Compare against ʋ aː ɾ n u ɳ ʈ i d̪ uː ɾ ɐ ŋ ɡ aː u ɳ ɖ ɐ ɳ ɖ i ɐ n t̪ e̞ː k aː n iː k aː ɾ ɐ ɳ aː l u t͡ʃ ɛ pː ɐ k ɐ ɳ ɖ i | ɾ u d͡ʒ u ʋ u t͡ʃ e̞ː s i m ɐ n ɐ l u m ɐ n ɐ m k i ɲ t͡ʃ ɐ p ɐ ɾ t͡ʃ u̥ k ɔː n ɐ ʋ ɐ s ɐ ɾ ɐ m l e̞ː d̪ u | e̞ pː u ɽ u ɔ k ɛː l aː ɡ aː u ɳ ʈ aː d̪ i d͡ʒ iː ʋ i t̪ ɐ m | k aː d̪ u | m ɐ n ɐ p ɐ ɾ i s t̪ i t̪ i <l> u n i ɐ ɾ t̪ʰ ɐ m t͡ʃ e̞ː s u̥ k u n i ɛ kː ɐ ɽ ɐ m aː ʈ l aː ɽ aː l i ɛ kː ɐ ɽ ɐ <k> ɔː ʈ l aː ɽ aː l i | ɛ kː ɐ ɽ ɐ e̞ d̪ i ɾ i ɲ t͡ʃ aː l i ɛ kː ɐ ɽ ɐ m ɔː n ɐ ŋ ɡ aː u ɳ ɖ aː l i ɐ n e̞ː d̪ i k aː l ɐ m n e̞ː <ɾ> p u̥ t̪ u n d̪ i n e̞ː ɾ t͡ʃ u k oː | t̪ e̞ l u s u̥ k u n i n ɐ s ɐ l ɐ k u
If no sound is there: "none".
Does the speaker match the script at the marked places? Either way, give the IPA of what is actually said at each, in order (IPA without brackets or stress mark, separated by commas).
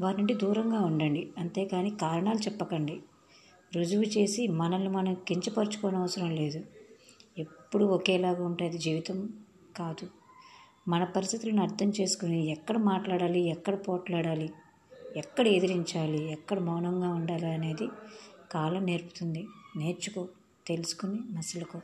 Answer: l, p, ɾ